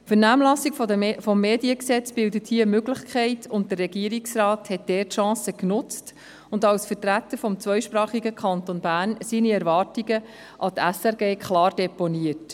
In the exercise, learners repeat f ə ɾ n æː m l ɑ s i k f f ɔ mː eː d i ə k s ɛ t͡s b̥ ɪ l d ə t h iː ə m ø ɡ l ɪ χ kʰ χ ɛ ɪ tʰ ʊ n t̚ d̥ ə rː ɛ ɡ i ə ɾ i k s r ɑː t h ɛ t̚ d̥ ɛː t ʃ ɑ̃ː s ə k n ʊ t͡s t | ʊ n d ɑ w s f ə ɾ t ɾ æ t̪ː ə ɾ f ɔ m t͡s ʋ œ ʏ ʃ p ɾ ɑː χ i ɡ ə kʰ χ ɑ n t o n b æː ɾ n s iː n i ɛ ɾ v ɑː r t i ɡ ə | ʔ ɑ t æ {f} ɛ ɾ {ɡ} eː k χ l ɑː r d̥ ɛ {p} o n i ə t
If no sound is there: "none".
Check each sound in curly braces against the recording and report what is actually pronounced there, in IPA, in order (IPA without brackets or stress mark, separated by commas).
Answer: s, ɡ, p